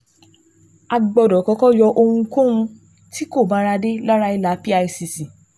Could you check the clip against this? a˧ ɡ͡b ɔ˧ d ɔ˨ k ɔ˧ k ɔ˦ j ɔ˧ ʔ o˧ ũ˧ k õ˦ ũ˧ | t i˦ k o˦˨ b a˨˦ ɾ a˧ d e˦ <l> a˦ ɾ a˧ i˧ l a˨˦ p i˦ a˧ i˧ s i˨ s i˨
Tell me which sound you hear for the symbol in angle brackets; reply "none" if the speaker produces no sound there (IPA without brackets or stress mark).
l